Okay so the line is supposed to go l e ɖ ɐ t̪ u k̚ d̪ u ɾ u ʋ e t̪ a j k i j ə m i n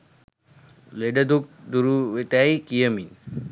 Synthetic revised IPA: l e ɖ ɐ d̪ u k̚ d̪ u ɾ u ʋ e t̪ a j k i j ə m i n